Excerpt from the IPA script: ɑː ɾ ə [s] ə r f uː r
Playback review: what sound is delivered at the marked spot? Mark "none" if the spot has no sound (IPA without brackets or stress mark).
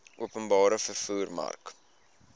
f